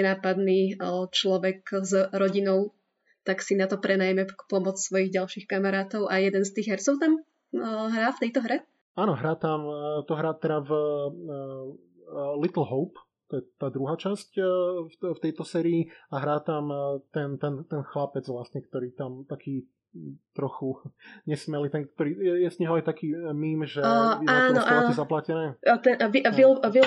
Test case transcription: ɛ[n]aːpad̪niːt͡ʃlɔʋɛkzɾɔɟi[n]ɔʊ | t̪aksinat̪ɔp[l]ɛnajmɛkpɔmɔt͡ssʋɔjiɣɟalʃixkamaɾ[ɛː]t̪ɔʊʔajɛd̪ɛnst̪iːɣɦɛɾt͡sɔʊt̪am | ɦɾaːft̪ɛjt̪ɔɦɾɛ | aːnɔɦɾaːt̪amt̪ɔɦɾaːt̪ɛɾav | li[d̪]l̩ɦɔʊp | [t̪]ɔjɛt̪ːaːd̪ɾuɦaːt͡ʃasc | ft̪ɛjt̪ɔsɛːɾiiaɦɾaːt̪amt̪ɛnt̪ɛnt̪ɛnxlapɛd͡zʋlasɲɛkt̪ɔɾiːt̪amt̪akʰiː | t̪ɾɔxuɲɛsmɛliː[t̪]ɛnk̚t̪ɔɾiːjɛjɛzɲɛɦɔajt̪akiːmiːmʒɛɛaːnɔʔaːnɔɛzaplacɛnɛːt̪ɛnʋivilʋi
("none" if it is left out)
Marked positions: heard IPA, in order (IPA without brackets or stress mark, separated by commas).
n, n, ɾ, aː, t̪, t̪, t̪